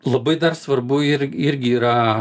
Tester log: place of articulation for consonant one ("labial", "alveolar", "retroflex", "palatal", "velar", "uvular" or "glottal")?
alveolar